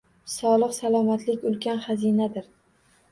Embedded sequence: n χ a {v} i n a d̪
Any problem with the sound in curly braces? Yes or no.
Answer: yes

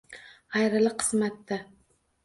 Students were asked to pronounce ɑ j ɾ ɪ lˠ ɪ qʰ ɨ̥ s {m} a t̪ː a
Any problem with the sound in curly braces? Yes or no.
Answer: no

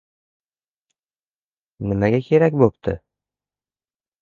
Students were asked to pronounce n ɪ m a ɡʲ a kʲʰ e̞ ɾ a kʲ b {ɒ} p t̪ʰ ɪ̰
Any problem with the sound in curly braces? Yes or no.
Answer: yes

